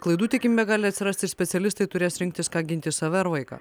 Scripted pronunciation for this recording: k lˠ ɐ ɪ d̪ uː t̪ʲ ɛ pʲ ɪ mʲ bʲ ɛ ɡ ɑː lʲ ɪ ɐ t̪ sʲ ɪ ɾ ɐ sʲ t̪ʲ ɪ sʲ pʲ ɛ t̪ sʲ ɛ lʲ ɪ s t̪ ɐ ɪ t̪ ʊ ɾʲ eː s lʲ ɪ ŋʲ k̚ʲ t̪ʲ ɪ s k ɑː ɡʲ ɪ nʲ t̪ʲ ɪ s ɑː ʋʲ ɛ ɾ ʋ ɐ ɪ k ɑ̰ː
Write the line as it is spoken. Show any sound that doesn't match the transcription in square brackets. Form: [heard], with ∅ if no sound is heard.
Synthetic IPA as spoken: k lˠ ɐ ɪ d̪ uː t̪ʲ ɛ [kʲ] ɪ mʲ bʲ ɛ ɡ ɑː lʲ ɪ ɐ t̪ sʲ ɪ ɾ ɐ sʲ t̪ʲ ɪ sʲ pʲ ɛ t̪ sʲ ɛ lʲ ɪ s t̪ ɐ ɪ t̪ ʊ ɾʲ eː s [ɾʲ] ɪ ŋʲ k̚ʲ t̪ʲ ɪ s k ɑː ɡʲ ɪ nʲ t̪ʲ ɪ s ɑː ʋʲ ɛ ɾ ʋ ɐ ɪ k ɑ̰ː

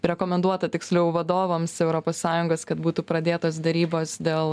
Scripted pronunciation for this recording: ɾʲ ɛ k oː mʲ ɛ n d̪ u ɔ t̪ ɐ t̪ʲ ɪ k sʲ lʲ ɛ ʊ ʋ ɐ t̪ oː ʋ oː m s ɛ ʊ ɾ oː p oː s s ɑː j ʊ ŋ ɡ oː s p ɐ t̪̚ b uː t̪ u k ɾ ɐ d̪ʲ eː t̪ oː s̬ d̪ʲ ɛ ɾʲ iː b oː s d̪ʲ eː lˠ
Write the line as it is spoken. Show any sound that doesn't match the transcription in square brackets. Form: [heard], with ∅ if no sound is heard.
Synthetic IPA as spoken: ɾʲ ɛ k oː mʲ ɛ n d̪ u ɔ t̪ ɐ t̪ʲ ɪ k sʲ lʲ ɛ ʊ ʋ ɐ [d̪] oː ʋ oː m s ɛ ʊ ɾ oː p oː s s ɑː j ʊ ŋ ɡ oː s [k] ɐ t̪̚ b uː t̪ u [p] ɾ ɐ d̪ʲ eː t̪ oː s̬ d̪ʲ ɛ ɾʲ iː b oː s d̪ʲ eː lˠ

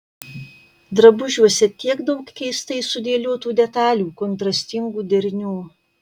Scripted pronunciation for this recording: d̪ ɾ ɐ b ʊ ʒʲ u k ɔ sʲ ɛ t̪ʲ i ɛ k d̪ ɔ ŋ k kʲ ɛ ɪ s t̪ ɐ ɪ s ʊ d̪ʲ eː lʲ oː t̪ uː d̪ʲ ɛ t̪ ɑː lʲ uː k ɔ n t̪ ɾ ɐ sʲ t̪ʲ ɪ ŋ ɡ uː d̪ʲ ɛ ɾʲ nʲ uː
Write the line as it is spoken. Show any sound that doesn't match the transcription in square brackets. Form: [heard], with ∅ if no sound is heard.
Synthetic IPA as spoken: d̪ ɾ ɐ b ʊ ʒʲ u [∅] ɔ sʲ ɛ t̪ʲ i ɛ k d̪ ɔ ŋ k kʲ ɛ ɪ s t̪ ɐ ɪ s ʊ d̪ʲ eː lʲ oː t̪ uː d̪ʲ ɛ t̪ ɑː lʲ uː k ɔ n t̪ ɾ ɐ sʲ t̪ʲ ɪ ŋ ɡ uː d̪ʲ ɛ ɾʲ nʲ uː

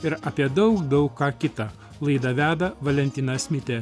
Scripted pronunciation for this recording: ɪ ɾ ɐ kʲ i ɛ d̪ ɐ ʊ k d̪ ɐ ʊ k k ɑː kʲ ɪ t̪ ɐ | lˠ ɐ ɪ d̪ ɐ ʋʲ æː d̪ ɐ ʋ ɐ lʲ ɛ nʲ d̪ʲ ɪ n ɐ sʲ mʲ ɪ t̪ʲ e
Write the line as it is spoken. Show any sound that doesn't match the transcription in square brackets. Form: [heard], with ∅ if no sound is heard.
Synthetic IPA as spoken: ɪ ɾ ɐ [pʲ] i ɛ d̪ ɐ ʊ k d̪ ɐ ʊ k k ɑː kʲ ɪ t̪ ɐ | lˠ ɐ ɪ d̪ ɐ ʋʲ æː d̪ ɐ ʋ ɐ lʲ ɛ nʲ [t̪ʲ] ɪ n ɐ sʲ mʲ ɪ t̪ʲ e

